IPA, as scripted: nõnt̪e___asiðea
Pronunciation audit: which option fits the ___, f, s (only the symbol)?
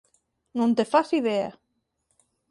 f